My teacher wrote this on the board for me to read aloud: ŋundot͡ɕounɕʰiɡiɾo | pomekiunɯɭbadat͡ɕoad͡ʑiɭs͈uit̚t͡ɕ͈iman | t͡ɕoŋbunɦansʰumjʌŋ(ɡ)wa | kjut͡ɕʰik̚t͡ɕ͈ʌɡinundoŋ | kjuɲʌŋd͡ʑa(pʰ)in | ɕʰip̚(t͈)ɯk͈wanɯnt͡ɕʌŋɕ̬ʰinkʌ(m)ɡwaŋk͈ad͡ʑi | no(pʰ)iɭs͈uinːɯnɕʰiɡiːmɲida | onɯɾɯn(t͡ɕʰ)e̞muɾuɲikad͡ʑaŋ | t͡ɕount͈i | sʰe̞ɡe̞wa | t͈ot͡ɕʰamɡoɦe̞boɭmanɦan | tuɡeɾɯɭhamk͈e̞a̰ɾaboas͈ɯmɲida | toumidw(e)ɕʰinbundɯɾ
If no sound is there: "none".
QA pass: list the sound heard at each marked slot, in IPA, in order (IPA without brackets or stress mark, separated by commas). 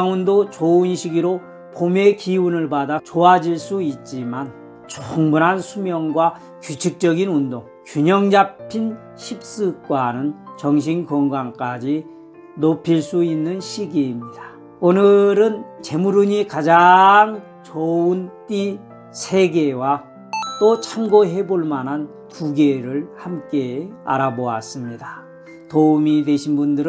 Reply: ɡ, pʰ, s͈, ŋ, pʰ, t͡ɕ, e